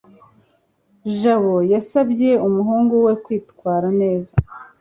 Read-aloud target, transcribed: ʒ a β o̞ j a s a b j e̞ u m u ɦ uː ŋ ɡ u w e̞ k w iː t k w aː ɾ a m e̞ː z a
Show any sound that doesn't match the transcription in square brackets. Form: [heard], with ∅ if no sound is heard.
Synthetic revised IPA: ʒ a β o̞ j a s a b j e̞ u m u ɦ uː ŋ ɡ u w e̞ k w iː t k w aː ɾ a [n] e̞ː z a